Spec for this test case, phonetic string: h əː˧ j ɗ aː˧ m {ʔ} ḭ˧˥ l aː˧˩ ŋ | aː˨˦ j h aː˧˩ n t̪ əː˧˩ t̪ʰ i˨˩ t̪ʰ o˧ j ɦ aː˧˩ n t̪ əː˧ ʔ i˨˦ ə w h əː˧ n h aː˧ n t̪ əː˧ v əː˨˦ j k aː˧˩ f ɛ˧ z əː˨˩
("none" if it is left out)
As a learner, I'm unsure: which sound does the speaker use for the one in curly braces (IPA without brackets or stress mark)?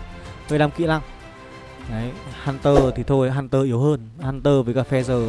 k